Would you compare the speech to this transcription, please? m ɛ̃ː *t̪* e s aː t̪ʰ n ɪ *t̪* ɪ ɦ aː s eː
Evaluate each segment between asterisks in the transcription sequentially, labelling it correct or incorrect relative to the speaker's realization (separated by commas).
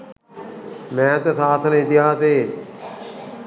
correct, correct